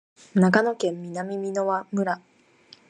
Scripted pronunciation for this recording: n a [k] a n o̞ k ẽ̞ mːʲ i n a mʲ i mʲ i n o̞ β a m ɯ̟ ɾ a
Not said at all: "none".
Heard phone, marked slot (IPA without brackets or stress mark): k